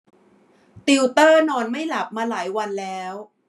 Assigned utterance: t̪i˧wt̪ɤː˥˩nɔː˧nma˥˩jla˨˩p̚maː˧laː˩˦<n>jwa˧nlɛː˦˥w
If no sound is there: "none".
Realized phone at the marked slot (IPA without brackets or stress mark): none